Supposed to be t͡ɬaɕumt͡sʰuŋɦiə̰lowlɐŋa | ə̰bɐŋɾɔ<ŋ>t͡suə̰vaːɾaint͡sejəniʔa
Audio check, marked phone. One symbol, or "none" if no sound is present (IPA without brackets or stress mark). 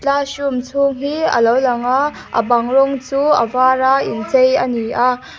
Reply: ŋ